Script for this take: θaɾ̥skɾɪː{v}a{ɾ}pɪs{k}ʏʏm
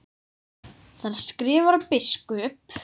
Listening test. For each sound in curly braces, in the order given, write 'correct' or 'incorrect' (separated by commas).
correct, correct, correct